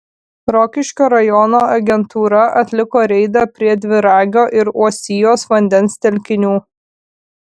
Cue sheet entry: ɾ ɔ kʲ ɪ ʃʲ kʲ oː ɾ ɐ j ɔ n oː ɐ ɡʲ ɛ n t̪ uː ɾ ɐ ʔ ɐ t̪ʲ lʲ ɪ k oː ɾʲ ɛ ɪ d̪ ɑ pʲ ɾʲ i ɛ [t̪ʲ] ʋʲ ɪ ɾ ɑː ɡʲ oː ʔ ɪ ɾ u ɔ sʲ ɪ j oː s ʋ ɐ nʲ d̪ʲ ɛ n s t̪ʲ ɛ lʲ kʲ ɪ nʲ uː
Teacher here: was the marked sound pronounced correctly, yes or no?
no